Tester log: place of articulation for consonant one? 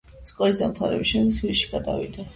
alveolar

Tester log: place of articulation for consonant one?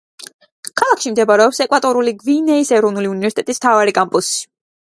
velar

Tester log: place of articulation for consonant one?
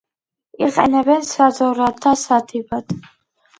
uvular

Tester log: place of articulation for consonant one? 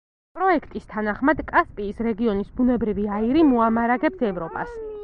labial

